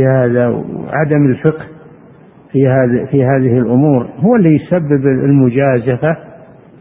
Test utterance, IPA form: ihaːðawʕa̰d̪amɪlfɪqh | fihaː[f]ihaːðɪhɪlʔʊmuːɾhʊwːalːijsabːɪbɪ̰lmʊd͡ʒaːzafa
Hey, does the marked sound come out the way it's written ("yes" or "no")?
yes